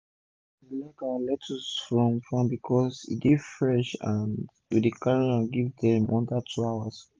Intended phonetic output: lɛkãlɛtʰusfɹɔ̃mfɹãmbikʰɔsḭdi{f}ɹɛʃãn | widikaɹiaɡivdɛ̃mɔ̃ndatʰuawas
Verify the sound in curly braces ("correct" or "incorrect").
correct